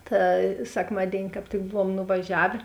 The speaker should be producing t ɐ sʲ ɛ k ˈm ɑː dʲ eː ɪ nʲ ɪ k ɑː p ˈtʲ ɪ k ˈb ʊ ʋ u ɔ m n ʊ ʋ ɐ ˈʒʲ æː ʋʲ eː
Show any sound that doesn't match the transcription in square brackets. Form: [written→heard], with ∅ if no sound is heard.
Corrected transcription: t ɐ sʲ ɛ k ˈm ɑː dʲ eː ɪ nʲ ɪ k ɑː p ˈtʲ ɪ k ˈb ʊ ʋ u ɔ m n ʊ ʋ ɐ ˈʒʲ æː ʋʲ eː